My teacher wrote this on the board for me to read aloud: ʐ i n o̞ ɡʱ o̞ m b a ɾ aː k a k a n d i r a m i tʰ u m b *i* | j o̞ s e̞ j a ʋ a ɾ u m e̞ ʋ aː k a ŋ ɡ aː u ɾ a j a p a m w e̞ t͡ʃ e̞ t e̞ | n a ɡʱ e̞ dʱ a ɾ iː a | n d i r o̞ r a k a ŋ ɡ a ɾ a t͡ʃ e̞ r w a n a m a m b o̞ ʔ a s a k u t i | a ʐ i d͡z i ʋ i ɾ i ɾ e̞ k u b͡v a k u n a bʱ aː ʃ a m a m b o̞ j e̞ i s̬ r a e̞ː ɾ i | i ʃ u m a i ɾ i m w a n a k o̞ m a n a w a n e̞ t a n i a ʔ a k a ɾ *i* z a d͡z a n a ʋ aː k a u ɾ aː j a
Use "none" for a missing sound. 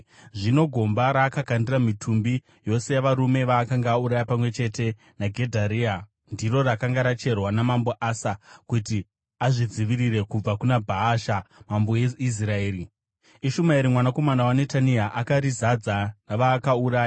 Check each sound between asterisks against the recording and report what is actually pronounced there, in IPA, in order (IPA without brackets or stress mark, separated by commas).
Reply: i, i